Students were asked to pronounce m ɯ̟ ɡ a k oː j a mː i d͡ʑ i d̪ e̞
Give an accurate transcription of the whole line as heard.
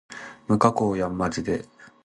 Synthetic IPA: m ɯ̟ k a k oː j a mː a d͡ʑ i d̪ e̞